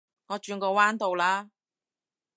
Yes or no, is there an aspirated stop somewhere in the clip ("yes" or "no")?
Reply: no